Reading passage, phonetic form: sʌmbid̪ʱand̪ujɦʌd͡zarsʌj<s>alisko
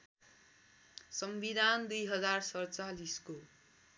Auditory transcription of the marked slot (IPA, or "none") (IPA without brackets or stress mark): t͡s